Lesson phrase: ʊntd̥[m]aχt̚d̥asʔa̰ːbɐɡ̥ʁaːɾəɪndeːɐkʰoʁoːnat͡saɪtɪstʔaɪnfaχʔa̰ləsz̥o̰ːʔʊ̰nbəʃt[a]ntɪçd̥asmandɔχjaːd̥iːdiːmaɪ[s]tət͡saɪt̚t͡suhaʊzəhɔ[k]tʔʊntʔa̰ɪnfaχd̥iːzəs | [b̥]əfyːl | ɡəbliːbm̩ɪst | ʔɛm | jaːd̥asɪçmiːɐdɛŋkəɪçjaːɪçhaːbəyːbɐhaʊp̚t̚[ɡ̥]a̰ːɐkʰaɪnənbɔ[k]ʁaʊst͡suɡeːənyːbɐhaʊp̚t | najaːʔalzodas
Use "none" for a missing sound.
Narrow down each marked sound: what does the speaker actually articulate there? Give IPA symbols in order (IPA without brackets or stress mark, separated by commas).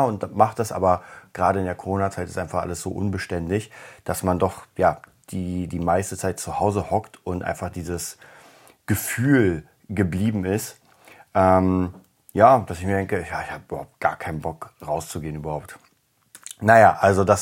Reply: m, ɛ, s, k, ɡ̥, ɡ̥, k